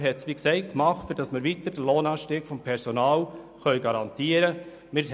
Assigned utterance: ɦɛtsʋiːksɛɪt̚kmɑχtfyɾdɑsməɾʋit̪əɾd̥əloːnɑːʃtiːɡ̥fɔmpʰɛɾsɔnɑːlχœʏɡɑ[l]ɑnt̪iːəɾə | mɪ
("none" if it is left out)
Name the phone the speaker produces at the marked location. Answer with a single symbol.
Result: ɾ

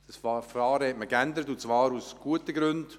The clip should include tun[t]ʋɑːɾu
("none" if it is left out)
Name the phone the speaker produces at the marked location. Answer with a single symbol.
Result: t͡s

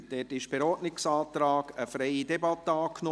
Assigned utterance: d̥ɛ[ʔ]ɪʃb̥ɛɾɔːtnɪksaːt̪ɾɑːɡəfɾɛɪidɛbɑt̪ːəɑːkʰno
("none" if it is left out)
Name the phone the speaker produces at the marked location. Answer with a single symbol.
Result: t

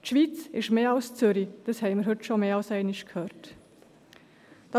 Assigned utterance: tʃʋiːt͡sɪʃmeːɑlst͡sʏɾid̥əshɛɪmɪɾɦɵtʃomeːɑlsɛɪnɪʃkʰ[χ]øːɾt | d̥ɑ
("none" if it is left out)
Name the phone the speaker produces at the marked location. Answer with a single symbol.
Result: h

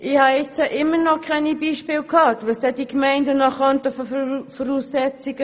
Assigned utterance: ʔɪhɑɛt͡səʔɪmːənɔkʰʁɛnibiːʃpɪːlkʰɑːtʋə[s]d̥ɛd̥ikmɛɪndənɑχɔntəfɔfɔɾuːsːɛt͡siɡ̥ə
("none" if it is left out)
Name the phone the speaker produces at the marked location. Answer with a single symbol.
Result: s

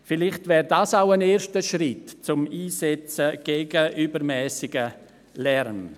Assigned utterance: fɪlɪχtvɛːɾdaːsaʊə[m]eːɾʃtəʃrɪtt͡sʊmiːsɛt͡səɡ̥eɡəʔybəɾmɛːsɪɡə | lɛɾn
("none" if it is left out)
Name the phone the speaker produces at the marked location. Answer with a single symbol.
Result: n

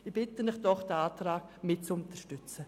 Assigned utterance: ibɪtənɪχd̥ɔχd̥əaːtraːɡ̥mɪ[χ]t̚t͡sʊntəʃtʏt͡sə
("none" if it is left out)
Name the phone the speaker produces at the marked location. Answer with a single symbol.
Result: none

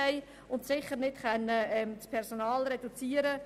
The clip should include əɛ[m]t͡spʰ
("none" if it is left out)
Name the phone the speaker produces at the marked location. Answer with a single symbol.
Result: m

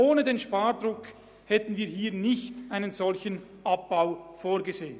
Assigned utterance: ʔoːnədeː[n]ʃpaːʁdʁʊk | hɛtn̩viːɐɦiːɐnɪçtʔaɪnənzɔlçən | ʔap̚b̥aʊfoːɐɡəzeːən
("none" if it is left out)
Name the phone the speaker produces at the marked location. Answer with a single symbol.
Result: n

